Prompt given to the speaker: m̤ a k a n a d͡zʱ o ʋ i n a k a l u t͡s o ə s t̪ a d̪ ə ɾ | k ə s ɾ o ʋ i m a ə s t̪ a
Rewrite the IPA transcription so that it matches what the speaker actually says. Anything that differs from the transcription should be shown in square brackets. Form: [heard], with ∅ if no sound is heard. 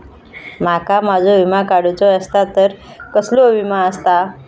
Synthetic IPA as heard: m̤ a k a [m] a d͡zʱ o ʋ i [m] a k a [ɽ] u t͡s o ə s t̪ a [t̪] ə ɾ | k ə s [l] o ʋ i m a ə s t̪ a